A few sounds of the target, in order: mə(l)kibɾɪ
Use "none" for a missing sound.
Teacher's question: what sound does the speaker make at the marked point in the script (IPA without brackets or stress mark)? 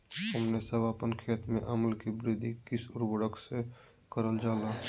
l